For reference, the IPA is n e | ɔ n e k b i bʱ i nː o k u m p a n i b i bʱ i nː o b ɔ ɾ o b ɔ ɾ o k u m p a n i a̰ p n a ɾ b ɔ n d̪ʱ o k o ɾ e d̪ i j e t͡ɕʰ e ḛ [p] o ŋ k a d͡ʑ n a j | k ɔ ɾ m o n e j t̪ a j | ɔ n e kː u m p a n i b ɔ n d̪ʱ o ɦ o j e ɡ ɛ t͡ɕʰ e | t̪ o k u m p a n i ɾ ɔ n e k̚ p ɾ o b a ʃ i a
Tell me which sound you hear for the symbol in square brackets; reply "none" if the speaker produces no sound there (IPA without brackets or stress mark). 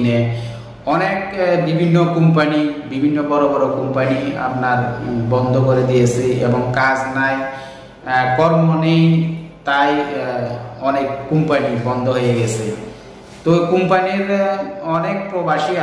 b